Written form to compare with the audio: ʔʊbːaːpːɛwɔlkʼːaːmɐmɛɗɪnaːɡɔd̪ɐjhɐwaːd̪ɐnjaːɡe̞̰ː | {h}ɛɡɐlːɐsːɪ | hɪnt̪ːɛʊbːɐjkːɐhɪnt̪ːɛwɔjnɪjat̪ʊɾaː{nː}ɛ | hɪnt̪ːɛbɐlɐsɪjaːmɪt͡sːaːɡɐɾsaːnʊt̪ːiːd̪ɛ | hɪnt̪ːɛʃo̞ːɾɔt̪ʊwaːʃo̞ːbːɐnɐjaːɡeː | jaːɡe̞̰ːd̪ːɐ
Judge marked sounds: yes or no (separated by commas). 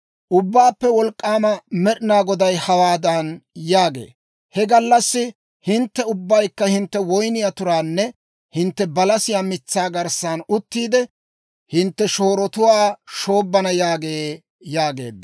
yes, yes